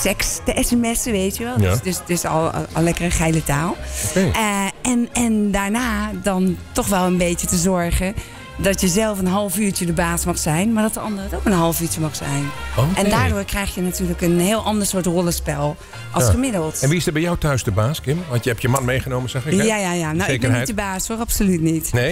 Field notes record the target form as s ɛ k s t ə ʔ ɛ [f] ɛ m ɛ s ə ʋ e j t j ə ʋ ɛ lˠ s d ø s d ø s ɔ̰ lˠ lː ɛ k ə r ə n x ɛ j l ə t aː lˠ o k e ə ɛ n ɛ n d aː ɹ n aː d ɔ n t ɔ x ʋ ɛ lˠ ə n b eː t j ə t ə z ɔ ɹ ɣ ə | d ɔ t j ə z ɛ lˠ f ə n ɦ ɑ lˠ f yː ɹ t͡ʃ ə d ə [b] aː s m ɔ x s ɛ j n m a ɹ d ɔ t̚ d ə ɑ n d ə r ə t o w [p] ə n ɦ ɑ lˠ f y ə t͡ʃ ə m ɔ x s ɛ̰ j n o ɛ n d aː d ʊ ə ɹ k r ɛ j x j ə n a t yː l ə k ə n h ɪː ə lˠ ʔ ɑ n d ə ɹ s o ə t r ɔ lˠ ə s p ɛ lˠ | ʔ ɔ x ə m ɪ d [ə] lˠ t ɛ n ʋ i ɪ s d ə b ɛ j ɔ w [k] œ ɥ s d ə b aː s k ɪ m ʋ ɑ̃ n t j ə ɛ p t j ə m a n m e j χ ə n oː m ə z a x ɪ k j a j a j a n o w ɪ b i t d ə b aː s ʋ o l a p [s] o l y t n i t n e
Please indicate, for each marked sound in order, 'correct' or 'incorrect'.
incorrect: s, correct, incorrect: k, correct, incorrect: t, correct

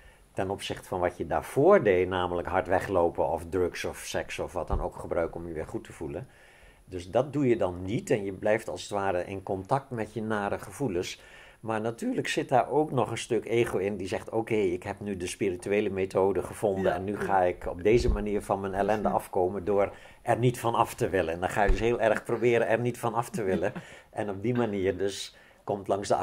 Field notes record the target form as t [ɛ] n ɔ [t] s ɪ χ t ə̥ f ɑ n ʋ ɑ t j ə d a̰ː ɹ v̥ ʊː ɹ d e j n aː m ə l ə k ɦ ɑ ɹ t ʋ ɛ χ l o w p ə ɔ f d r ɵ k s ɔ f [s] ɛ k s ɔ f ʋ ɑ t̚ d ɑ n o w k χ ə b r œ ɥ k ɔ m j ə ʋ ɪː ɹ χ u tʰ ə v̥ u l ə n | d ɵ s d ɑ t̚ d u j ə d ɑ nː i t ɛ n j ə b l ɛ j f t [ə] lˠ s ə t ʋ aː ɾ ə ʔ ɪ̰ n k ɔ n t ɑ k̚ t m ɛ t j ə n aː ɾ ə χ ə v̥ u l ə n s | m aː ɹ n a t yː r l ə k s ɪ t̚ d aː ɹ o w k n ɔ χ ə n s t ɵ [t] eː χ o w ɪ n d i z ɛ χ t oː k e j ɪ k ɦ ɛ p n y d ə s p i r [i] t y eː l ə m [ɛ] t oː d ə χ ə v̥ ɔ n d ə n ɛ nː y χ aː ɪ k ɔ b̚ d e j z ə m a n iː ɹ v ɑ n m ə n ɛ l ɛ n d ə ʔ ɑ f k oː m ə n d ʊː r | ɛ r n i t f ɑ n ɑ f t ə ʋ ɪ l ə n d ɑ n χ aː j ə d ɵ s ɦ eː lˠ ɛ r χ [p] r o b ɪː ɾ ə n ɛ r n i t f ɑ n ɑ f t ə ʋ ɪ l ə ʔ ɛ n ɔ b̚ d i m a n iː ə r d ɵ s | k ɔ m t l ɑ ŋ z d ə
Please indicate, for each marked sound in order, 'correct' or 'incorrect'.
correct, incorrect: p, correct, incorrect: ɑ, incorrect: k, correct, incorrect: e, correct

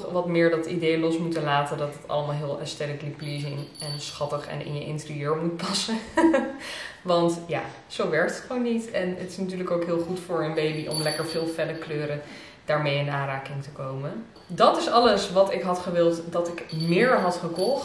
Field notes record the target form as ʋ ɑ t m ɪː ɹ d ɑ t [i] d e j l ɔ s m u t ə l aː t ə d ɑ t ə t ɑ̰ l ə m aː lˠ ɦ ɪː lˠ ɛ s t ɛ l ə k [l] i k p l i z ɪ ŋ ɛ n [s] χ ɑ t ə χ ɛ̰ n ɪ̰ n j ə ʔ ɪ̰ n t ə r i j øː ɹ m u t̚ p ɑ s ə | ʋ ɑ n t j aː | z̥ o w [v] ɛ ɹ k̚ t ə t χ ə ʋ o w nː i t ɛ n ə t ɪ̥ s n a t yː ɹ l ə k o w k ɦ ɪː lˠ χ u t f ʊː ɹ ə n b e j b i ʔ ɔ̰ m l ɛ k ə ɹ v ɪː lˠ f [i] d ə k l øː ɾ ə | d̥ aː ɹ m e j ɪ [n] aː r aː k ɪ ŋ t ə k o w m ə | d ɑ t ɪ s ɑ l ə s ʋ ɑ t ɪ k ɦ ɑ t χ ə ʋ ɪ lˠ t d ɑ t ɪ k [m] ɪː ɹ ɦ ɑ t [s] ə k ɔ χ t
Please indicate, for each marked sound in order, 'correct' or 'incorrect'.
correct, correct, correct, incorrect: ʋ, incorrect: ɛ, correct, correct, incorrect: χ

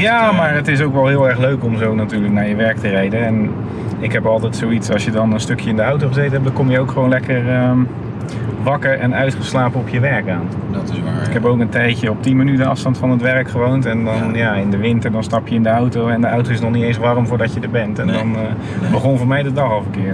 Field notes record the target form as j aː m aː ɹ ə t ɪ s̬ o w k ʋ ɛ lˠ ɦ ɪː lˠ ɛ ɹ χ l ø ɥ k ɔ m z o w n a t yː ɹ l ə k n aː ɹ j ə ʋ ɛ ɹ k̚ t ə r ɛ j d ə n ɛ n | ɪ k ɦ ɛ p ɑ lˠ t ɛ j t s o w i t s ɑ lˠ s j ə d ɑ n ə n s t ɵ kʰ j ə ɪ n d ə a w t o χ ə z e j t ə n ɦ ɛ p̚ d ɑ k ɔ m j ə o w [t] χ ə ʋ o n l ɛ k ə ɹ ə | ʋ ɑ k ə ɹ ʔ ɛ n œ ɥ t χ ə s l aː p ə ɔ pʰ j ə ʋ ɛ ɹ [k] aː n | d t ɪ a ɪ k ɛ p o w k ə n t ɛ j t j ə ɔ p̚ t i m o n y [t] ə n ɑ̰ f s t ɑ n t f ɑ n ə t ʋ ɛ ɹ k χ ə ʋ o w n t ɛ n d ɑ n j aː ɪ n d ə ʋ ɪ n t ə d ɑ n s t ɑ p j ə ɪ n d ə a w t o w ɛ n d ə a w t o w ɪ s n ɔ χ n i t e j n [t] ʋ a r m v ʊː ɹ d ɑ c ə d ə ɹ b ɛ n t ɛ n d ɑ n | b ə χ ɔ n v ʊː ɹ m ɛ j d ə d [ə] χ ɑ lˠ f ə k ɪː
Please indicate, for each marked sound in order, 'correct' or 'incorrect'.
incorrect: k, correct, correct, incorrect: s, incorrect: ɑ

